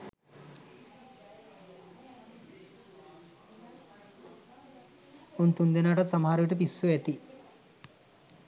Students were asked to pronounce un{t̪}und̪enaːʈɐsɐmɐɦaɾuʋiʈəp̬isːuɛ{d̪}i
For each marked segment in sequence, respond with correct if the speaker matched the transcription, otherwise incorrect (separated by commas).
correct, incorrect